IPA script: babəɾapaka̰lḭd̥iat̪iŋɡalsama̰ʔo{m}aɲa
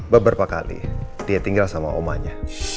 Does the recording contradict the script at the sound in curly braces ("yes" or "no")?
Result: no